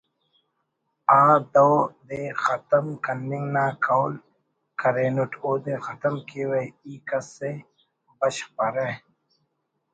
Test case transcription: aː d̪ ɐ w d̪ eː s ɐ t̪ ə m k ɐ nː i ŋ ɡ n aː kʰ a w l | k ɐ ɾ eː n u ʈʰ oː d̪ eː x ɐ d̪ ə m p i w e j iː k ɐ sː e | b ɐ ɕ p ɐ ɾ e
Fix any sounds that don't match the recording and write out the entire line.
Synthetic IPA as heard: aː d̪ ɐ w d̪ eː x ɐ t̪ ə m k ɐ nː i ŋ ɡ n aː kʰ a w l | k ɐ ɾ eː n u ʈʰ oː d̪ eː x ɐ t̪ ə m k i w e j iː k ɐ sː e | b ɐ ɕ p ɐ ɾ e